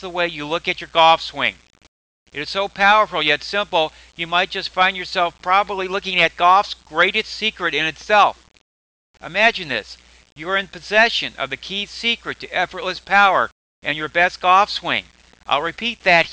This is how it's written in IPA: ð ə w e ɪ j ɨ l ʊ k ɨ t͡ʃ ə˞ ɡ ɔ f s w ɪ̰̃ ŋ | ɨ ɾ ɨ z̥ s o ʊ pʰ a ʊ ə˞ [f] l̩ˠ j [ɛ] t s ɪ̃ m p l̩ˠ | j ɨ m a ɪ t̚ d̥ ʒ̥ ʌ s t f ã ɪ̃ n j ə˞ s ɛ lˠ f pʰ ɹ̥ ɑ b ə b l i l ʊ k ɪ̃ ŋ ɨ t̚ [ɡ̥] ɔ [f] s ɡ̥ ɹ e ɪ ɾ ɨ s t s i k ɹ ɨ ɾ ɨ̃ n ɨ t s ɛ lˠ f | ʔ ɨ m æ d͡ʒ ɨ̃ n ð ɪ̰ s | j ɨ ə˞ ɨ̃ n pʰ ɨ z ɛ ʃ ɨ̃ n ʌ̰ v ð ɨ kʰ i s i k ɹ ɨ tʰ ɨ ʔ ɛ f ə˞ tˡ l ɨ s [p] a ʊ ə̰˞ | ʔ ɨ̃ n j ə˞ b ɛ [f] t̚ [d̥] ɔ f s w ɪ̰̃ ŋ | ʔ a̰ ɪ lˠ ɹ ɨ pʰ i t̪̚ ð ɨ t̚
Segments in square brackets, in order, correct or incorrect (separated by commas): correct, correct, correct, correct, incorrect, incorrect, incorrect